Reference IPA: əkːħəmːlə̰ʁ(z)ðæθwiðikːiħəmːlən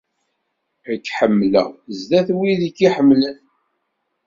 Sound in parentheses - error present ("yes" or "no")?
no